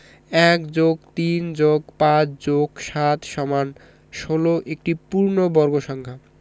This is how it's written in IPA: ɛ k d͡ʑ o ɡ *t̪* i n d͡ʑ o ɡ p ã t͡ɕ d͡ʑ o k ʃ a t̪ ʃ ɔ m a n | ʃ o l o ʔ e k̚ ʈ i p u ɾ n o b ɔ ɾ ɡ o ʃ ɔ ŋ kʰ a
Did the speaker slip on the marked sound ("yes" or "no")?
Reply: no